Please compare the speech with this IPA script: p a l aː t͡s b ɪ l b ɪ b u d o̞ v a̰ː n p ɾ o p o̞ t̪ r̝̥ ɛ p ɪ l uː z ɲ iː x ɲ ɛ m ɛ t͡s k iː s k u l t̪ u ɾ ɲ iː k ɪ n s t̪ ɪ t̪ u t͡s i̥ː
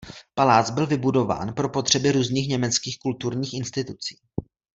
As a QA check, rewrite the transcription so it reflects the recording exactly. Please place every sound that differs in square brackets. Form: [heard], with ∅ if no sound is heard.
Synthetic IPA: p a l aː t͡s b ɪ l [v] ɪ b u d o̞ v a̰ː n p ɾ o p o̞ t̪ r̝̥ ɛ [b] ɪ [ɾ] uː z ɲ iː x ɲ ɛ m ɛ t͡s k iː [x] k u l t̪ u ɾ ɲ iː [x] ɪ n s t̪ ɪ t̪ u t͡s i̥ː